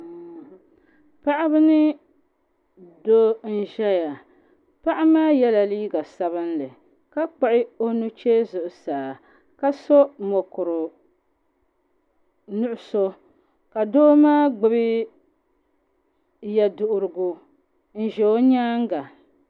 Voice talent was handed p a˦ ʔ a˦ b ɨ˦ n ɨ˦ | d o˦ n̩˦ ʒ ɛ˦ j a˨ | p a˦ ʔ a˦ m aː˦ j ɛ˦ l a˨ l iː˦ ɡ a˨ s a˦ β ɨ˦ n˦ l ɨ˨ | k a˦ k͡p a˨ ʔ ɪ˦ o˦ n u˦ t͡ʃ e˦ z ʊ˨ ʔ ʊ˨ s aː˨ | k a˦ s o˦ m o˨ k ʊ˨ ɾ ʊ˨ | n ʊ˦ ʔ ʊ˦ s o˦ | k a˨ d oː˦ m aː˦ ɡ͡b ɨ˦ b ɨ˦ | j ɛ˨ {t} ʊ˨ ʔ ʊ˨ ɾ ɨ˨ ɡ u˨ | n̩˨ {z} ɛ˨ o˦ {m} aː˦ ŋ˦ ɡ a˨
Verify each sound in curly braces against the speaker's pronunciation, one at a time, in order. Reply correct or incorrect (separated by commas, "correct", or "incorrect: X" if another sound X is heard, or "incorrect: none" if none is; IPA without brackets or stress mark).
incorrect: d, incorrect: ʒ, incorrect: ɲ